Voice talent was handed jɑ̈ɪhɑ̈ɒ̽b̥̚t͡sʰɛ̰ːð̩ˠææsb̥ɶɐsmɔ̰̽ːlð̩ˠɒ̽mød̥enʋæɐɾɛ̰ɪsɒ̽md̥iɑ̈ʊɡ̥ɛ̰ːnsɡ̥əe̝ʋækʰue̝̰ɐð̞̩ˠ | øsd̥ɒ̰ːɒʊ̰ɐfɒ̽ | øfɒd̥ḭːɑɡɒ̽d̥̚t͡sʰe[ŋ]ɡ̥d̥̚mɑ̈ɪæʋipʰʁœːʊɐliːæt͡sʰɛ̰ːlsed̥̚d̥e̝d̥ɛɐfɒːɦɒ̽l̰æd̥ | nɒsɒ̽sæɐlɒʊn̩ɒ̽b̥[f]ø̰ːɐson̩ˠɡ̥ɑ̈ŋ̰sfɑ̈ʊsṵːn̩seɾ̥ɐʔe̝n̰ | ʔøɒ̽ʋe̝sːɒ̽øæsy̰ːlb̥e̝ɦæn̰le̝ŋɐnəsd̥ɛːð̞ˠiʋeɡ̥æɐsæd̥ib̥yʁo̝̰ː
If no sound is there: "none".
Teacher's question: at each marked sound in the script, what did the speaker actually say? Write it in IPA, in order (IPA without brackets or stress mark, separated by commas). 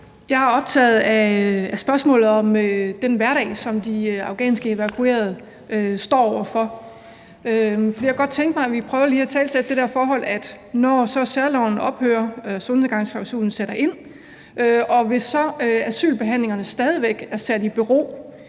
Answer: ŋ, h